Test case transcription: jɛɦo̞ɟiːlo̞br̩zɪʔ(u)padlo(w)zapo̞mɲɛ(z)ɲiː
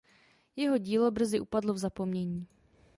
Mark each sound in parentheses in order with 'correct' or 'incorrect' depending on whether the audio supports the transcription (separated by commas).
correct, incorrect, incorrect